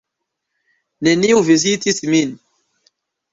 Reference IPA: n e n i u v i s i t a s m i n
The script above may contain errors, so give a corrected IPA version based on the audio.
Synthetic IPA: n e n i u v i z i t i s m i n